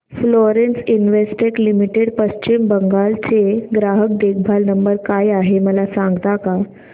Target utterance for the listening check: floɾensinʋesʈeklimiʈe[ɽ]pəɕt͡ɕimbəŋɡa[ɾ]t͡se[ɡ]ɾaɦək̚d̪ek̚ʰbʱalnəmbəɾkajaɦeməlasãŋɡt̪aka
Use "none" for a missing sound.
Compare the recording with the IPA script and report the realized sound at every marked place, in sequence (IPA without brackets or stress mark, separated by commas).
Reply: ɽ, l, ɡ